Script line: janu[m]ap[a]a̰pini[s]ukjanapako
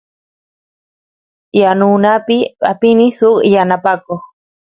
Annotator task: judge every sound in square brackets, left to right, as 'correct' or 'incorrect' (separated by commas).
incorrect, incorrect, correct